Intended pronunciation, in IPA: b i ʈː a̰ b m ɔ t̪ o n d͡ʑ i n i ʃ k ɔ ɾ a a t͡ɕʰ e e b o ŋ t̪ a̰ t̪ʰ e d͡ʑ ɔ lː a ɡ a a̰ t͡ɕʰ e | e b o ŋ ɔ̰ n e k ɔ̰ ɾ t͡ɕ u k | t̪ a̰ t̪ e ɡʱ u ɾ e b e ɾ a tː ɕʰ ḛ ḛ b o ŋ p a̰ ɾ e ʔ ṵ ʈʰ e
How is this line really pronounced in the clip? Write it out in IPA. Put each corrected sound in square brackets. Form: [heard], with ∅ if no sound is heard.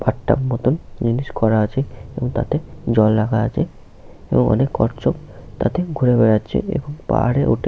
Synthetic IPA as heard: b [a] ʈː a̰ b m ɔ t̪ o n d͡ʑ i n i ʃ k ɔ ɾ a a t͡ɕʰ e e b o ŋ t̪ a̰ [t̪] e d͡ʑ ɔ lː a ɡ a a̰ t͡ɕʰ e | e b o ŋ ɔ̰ n e k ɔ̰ ɾ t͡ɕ [o] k | t̪ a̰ t̪ e ɡʱ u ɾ e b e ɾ a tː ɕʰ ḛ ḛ b o ŋ p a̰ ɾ e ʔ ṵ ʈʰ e